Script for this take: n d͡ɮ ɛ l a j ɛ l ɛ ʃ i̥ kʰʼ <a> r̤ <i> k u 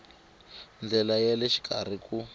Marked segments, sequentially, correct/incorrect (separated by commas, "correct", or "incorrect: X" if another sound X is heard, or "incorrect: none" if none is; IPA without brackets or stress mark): correct, correct